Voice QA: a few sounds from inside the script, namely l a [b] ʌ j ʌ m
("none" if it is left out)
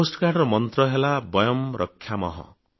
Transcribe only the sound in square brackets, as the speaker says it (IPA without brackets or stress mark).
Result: b